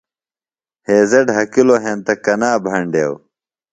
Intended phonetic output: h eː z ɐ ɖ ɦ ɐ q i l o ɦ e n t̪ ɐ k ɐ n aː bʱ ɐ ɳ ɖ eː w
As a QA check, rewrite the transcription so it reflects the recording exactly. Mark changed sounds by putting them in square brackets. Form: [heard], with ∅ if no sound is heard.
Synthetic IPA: h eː z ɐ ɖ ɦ ɐ [k] i l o ɦ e n t̪ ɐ k ɐ n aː bʱ ɐ ɳ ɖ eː w